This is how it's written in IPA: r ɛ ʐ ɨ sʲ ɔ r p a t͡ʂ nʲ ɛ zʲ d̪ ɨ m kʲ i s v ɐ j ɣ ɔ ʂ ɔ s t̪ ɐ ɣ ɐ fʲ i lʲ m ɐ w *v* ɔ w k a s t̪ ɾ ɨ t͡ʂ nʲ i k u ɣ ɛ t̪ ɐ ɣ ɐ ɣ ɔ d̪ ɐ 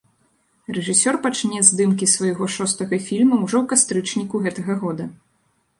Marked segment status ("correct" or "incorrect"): incorrect